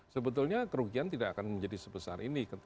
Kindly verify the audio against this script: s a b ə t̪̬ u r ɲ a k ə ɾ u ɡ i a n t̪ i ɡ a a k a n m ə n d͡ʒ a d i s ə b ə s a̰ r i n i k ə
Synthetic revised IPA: s ə b ə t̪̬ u l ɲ a k ə ɾ u ɡ i a n t̪ i d a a k a n m ə ɲ d͡ʒ a d i s ə b ə s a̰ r i n i k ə